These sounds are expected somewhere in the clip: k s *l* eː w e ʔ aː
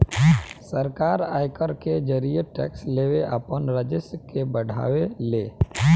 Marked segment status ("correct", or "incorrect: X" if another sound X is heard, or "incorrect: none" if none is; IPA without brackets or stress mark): correct